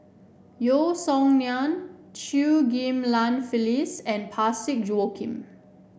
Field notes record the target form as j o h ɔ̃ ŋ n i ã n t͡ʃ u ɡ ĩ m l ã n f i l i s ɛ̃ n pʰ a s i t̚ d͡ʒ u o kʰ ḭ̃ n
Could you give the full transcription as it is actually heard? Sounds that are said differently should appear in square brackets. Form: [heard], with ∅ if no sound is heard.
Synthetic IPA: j o [s] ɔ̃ ŋ n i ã n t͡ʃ u ɡ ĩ m l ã n f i l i s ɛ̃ n pʰ a s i [k̚] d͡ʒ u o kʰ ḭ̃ [m]